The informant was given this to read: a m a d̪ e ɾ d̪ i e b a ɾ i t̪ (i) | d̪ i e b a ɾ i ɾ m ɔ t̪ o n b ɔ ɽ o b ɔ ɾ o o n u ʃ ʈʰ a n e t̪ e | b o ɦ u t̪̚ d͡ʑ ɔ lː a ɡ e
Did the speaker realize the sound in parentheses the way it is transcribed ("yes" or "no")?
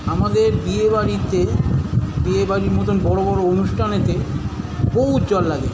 no